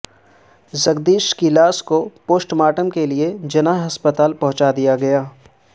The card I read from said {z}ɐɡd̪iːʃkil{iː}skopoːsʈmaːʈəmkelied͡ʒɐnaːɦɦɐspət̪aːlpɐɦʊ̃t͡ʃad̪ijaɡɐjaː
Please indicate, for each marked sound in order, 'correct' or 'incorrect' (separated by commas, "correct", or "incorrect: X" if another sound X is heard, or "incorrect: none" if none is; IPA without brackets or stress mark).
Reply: correct, incorrect: aː